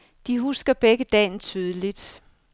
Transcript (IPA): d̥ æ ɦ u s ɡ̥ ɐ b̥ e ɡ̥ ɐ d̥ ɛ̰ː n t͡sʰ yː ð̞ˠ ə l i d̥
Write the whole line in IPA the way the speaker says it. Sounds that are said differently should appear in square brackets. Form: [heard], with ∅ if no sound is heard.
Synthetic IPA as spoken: d̥ [i] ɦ u s ɡ̥ ɐ b̥ e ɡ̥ [ə] d̥ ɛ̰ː n t͡sʰ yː ð̞ˠ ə l i d̥